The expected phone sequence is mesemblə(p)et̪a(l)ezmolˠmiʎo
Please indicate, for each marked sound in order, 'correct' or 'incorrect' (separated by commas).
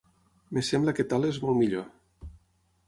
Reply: incorrect, correct